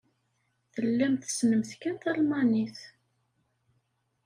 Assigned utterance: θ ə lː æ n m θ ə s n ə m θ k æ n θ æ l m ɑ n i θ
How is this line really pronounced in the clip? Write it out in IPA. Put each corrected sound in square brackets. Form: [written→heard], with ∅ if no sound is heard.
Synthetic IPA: θ ə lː æ [n→∅] m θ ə s n ə m θ k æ n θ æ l m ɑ n i θ